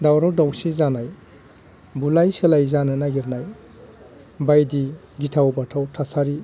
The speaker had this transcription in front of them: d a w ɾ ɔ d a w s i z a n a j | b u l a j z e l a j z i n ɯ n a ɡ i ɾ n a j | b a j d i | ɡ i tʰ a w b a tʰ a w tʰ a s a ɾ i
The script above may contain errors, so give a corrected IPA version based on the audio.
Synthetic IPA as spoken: d a w ɾ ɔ d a w s i z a n a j | b u l a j s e l a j z a n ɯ n a ɡ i ɾ n a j | b a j d i | ɡ i tʰ a w b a tʰ a w tʰ a s a ɾ i